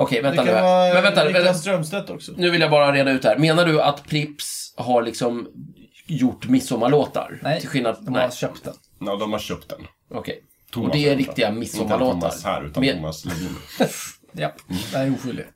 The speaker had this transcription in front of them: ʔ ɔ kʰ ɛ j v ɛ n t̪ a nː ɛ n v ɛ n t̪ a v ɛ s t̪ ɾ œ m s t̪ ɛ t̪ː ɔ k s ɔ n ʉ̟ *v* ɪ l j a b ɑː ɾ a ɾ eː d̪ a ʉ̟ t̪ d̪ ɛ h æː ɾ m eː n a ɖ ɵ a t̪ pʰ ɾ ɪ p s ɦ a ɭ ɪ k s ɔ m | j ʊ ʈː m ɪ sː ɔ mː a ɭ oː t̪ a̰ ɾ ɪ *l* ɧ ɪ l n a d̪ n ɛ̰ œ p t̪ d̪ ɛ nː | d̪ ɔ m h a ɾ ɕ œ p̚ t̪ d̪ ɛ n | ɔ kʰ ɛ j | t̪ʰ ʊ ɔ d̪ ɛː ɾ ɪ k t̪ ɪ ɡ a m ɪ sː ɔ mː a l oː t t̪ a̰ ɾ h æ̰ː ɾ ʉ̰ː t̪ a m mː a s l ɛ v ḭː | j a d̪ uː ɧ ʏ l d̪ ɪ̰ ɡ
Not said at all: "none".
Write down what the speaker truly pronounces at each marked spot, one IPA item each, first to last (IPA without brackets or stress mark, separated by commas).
v, l